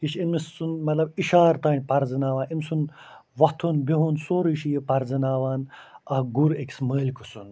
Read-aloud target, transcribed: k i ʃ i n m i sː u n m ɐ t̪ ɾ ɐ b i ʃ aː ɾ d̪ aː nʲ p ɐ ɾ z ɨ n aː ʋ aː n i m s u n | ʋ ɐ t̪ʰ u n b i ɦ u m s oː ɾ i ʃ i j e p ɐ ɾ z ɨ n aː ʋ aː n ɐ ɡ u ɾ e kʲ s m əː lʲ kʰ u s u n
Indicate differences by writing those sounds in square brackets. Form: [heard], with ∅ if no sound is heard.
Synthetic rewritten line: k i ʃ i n m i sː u n m ɐ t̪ [l] ɐ b i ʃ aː ɾ [t̪] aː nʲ p ɐ ɾ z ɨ n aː ʋ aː n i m s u n | ʋ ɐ t̪ʰ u n b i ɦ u [n] s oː ɾ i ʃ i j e p ɐ ɾ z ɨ n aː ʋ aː n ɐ ɡ u ɾ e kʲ s m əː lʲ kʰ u s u n